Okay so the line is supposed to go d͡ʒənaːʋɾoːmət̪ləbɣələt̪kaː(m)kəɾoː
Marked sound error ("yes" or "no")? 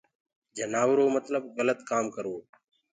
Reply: no